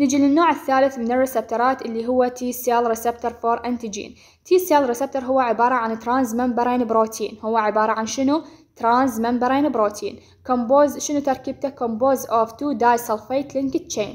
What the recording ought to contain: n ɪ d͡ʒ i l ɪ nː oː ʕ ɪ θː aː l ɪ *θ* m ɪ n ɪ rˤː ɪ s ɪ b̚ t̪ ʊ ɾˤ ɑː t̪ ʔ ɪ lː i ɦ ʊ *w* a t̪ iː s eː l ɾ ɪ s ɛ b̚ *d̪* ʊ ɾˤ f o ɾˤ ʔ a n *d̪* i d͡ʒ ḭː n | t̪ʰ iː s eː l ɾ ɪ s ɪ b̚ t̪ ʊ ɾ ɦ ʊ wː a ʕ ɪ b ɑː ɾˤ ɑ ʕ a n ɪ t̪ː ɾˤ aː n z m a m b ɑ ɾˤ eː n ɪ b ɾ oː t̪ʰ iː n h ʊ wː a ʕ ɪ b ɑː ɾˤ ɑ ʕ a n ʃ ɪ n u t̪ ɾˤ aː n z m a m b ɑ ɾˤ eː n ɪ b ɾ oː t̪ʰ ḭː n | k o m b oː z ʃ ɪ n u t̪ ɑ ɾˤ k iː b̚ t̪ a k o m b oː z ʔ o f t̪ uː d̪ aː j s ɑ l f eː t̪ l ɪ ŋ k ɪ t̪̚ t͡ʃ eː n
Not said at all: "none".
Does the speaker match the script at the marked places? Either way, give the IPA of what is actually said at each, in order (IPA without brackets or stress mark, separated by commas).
θ, wː, t̪, t̪